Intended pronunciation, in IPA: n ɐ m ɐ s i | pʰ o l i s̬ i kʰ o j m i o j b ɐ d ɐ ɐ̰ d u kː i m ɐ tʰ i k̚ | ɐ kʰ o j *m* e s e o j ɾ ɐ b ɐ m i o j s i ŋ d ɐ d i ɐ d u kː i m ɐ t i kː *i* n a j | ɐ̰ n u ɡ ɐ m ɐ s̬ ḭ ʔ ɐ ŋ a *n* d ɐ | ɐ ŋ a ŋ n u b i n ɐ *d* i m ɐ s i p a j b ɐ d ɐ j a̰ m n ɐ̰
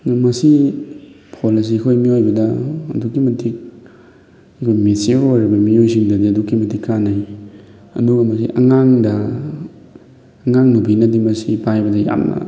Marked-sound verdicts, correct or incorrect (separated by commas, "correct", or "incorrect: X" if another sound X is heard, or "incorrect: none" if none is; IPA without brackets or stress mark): correct, incorrect: a, incorrect: ŋ, correct